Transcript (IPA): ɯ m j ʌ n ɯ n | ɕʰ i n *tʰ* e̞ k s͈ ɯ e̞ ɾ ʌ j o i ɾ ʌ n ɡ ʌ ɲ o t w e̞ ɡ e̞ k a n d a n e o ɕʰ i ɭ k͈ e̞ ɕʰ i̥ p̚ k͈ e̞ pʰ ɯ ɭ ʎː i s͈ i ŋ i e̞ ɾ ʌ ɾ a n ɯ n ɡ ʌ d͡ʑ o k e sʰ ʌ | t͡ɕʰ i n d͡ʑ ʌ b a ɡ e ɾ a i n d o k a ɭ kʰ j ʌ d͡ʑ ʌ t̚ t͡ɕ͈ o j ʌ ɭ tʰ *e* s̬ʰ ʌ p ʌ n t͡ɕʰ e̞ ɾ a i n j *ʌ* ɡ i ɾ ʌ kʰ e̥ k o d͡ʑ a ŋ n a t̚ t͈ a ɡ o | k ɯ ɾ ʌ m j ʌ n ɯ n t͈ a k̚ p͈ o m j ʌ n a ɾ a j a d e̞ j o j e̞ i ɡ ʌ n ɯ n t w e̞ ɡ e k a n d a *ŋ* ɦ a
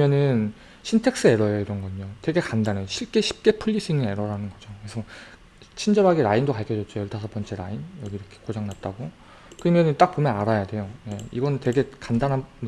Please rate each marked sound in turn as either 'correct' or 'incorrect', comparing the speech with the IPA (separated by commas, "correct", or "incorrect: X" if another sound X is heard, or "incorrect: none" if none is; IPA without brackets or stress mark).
correct, incorrect: a, correct, incorrect: n